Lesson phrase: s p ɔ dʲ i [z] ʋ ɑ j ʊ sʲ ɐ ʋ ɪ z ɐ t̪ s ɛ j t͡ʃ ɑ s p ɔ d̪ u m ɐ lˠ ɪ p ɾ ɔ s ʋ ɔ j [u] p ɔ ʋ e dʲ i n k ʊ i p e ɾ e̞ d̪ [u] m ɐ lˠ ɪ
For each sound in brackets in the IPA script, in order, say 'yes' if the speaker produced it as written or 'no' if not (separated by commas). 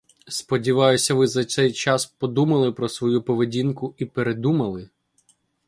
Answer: no, yes, yes